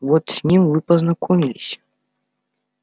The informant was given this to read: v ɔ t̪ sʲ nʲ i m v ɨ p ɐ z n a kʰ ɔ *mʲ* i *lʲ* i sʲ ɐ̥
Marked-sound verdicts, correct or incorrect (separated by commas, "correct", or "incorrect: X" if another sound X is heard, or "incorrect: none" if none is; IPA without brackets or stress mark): correct, correct